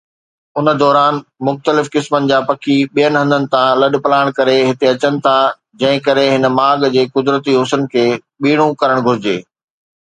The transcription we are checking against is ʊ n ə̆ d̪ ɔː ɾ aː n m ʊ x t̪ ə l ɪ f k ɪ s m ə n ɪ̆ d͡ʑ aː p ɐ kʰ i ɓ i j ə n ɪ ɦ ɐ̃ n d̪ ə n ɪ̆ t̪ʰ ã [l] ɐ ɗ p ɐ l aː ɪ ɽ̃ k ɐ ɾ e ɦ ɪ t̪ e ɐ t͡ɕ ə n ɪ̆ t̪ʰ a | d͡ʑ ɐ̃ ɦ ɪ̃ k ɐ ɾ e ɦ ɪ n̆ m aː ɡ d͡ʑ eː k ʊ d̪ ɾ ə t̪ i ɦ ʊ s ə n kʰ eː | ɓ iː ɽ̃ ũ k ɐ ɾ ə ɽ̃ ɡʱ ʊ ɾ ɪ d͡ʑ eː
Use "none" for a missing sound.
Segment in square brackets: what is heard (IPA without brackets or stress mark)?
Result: l